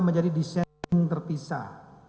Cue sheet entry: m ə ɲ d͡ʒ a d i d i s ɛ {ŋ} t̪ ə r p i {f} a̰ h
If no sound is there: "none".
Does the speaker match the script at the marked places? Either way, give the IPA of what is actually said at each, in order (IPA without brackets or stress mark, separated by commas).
ŋ, s